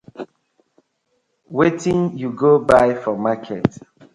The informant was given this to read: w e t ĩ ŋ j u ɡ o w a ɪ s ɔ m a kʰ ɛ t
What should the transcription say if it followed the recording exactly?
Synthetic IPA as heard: w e t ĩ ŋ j u ɡ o b a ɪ f ɔ m a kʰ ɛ t